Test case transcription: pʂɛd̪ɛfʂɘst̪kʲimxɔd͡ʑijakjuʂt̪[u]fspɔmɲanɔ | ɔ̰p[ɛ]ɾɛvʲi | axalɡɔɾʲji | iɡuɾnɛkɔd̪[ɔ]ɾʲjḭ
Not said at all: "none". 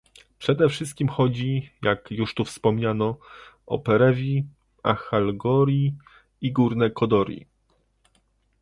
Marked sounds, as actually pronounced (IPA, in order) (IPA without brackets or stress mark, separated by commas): u, ɛ, ɔ